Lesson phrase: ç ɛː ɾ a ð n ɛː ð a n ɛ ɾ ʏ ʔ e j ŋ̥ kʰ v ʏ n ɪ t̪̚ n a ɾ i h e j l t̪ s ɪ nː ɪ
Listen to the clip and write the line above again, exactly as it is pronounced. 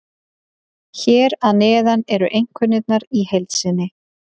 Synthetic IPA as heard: ç ɛː ɾ a ð n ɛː ð a n ɛ ɾ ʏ ʔ e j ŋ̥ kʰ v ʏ n ɪ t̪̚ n a ɾ i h e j l t̪ s ɪ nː ɪ